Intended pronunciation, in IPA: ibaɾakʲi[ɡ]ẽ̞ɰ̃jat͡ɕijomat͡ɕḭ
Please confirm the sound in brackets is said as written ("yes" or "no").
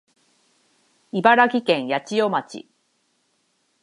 no